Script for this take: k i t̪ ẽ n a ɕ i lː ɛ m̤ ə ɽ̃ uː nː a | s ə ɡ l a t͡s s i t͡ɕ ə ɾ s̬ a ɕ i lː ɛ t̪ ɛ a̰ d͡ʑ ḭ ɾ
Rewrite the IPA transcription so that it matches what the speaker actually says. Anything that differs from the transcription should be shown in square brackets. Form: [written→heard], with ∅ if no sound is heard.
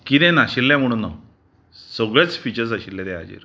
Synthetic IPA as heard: k i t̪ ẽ n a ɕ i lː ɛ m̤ ə ɽ̃ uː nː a | s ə ɡ [l→ɭ] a t͡s [s→f] i t͡ɕ ə ɾ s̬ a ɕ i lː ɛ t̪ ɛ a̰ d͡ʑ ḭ ɾ